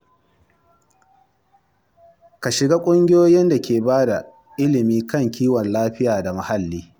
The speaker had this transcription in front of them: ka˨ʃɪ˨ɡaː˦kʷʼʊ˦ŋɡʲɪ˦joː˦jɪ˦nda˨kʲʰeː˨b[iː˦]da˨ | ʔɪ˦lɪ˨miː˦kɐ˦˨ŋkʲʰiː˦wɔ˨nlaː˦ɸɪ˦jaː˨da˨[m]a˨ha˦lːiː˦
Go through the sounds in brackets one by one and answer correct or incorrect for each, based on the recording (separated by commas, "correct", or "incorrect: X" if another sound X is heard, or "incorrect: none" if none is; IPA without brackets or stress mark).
incorrect: aː˦, correct